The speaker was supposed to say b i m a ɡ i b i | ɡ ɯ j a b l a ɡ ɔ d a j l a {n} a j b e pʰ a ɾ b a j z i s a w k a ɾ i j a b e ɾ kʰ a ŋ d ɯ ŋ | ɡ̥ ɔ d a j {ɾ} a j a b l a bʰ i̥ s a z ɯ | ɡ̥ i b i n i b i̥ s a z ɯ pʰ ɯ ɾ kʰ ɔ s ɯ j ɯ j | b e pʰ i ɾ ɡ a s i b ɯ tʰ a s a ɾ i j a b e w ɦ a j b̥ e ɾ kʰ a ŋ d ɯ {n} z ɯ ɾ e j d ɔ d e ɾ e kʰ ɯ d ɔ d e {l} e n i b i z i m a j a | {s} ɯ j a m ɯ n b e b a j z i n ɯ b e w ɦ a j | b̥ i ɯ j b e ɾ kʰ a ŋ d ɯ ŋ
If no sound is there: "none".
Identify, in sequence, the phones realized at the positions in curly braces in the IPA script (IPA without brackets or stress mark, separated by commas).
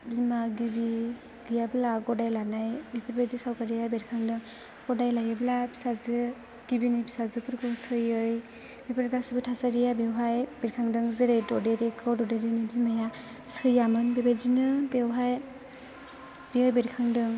n, l, ŋ, ɾ, s